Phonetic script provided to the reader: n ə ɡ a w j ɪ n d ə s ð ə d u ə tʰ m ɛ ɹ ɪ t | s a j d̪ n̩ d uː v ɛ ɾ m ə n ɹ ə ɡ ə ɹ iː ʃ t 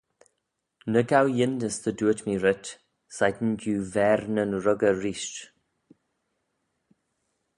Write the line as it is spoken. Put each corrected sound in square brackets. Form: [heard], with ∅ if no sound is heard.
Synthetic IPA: n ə ɡ a w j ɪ n d ə s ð ə d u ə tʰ m [i] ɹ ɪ t | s a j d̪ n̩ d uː v ɛ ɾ [n] ə n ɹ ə ɡ ə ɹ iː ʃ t